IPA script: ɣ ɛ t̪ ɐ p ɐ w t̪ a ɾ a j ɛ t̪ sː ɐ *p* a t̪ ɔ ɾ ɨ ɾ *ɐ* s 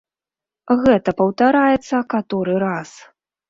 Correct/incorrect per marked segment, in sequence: incorrect, incorrect

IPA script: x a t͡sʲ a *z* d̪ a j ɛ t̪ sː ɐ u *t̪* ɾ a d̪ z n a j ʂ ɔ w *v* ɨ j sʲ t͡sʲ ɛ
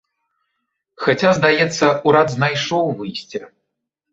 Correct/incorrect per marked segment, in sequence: correct, incorrect, correct

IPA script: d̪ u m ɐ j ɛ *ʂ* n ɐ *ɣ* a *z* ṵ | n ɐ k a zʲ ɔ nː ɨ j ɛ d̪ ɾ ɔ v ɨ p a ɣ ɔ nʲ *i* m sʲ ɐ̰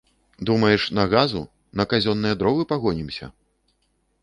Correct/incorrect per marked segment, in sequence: correct, correct, correct, correct

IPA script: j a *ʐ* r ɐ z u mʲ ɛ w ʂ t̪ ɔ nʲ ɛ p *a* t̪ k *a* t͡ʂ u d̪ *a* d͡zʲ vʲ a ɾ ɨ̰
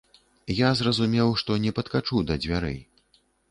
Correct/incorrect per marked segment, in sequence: incorrect, incorrect, correct, incorrect

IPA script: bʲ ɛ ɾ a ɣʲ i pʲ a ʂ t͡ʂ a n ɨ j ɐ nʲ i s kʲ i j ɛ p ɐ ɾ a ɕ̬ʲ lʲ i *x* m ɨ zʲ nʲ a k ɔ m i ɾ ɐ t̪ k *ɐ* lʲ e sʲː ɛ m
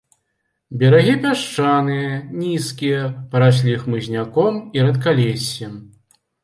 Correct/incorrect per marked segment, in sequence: correct, incorrect

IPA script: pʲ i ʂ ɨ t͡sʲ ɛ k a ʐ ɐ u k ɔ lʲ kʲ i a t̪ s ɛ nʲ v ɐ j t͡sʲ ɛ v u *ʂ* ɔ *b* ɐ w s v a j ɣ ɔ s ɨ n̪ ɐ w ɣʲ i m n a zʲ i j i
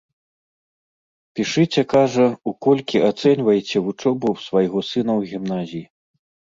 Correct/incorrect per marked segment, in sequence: incorrect, correct

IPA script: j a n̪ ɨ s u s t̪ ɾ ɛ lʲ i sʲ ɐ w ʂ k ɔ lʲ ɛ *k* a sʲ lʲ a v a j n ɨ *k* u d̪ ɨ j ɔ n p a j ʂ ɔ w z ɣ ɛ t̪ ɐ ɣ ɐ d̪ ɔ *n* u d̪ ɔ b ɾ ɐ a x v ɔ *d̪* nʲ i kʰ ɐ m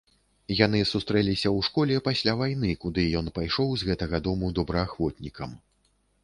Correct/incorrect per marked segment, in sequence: incorrect, correct, incorrect, incorrect

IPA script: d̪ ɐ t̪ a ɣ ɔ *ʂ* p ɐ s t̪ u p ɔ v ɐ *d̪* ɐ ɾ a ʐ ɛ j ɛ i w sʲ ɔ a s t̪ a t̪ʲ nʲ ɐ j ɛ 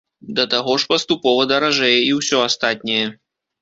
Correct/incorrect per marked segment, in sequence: correct, correct

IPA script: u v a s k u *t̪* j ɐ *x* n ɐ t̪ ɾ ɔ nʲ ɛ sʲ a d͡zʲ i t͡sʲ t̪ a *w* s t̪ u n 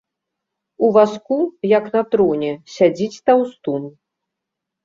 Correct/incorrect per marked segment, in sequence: incorrect, incorrect, correct

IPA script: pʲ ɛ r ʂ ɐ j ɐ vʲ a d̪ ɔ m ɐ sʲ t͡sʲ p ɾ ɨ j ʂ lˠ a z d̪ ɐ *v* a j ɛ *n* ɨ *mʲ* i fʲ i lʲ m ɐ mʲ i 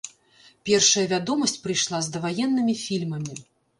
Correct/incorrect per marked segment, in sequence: correct, incorrect, correct

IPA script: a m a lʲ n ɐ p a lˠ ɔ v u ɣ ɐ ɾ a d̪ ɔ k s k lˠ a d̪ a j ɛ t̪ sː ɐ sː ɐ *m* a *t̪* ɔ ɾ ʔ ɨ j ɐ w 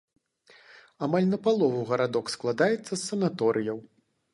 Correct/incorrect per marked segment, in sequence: incorrect, correct

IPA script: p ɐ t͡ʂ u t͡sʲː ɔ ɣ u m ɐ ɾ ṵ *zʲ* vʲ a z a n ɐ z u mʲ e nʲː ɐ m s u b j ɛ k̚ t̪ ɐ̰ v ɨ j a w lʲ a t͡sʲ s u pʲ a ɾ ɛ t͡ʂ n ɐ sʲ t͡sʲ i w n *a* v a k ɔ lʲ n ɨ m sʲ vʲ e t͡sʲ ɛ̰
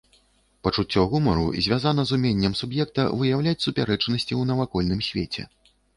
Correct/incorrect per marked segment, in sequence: correct, incorrect

